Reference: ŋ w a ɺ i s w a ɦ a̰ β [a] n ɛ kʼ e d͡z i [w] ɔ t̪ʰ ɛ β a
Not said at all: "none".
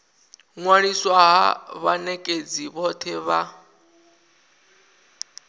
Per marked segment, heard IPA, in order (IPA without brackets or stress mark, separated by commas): a, β